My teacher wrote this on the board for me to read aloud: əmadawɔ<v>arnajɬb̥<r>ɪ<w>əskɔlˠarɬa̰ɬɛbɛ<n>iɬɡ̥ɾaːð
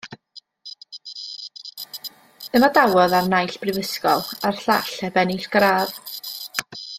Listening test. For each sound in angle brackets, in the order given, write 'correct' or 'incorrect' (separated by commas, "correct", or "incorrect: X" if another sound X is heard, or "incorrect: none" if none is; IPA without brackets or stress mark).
incorrect: ð, correct, incorrect: v, correct